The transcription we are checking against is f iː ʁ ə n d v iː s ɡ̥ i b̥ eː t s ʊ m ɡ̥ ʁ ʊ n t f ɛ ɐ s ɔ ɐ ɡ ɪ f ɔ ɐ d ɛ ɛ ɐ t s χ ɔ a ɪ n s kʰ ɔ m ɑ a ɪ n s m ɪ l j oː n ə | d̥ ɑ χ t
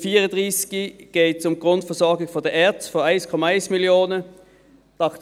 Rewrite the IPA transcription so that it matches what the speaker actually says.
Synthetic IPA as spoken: f iː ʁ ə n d ʁ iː s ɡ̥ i ɡ̥ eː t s ʊ m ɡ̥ ʁ ʊ n t f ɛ ɐ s ɔ ɐ ɡ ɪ f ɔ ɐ d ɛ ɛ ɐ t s f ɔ a ɪ n s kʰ ɔ m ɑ a ɪ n s m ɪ l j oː n ə | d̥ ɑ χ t